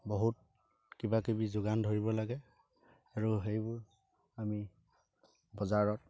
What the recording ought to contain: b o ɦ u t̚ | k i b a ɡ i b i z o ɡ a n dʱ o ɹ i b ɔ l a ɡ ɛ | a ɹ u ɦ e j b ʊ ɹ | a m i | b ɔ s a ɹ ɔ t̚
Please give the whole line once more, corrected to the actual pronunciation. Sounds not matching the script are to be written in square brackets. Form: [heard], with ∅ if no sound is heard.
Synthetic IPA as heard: b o ɦ u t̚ | k i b a [k] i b i z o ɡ a n dʱ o ɹ i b ɔ l a ɡ ɛ | a ɹ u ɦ e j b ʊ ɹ | a m i | b ɔ [z] a ɹ ɔ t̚